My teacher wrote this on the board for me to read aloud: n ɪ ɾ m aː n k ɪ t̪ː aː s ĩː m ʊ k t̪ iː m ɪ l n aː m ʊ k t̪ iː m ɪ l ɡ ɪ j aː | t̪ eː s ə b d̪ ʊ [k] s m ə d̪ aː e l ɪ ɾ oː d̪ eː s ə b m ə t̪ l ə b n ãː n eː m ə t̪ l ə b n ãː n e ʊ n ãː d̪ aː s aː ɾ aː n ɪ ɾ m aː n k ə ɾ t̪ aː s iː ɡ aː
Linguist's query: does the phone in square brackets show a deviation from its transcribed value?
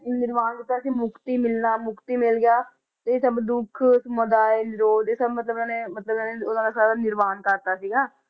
yes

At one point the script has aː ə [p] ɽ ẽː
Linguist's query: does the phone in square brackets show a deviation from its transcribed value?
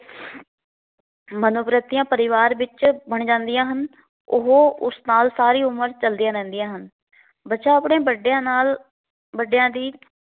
no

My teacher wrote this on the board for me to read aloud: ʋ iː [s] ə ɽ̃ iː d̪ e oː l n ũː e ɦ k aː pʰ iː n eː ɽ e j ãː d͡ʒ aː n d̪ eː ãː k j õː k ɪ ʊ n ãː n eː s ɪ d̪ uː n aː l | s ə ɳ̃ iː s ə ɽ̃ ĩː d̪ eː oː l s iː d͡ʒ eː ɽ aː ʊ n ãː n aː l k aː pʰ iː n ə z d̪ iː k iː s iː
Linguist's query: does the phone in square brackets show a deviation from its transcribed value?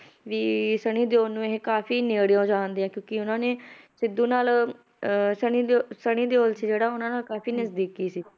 no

